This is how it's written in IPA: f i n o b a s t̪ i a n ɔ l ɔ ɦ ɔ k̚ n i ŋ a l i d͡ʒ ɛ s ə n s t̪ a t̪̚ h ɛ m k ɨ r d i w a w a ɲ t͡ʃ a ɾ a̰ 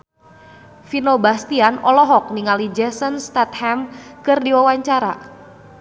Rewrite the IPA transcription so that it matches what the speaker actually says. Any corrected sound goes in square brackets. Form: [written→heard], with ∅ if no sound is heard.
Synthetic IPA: f i n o b a s t̪ i a n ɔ l ɔ ɦ ɔ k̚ n i ŋ a l i d͡ʒ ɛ s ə n s t̪ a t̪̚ h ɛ m k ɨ r d i w a w a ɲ t͡ʃ a ɾ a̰